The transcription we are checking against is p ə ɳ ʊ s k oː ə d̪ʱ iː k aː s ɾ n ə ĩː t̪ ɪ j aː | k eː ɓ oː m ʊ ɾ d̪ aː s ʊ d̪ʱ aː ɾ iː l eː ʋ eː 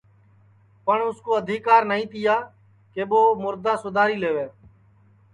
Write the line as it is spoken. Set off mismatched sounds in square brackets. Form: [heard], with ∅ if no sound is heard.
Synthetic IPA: p ə ɳ ʊ s k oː ə d̪ʱ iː k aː [∅] ɾ n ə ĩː t̪ ɪ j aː | k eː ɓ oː m ʊ ɾ d̪ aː s ʊ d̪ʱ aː ɾ iː l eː ʋ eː